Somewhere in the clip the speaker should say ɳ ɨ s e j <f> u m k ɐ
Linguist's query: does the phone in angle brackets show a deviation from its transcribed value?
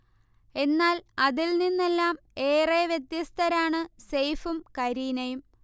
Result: no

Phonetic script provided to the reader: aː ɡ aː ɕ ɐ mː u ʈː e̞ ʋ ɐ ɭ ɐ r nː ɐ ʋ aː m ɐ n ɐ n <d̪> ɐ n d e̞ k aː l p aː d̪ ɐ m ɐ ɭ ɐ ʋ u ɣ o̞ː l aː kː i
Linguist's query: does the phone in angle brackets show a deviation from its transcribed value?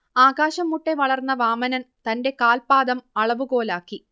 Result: yes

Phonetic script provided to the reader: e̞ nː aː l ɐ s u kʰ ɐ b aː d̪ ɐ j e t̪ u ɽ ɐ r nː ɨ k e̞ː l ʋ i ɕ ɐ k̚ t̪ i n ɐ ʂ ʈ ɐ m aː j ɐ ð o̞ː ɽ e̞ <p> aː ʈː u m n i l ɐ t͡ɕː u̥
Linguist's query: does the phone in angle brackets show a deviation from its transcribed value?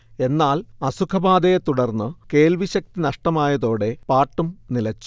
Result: no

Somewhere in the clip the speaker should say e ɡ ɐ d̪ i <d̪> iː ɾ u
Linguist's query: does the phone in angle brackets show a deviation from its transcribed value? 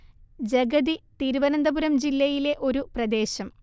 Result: yes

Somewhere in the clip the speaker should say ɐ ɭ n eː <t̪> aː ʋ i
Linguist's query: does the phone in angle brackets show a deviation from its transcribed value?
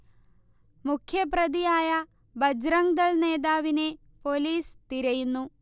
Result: yes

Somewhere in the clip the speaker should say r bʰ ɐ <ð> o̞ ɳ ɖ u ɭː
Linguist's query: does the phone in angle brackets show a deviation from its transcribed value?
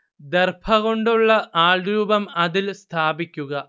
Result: yes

